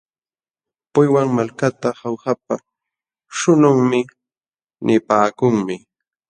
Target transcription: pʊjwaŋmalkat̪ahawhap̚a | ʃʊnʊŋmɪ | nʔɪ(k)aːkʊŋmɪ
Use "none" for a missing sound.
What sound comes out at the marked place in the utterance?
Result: p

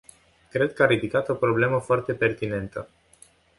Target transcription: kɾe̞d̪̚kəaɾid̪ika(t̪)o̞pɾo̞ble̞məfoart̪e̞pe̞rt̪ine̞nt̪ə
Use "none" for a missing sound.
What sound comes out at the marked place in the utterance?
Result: t̪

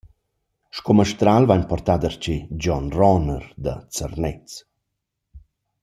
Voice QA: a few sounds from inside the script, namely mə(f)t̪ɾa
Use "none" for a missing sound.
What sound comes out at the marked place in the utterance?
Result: ʃ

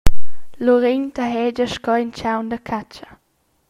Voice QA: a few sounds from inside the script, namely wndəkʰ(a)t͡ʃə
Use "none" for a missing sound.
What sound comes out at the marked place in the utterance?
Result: a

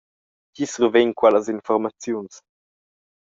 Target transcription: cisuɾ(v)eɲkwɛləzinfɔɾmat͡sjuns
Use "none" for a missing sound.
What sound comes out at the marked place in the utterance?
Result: v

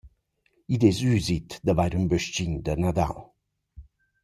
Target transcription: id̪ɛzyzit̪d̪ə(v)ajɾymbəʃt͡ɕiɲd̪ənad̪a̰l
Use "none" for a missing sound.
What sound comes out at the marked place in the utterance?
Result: v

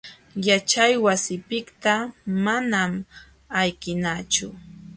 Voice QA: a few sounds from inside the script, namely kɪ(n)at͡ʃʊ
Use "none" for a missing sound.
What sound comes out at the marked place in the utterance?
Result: n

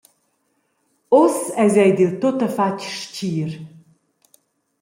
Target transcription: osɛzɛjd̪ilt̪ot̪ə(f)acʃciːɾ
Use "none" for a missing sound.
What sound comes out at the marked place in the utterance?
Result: f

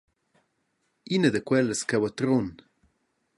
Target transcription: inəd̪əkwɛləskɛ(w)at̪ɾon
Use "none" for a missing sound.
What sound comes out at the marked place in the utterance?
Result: w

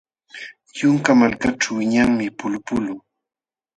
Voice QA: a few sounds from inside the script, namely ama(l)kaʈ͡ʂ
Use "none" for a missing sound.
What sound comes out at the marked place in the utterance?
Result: l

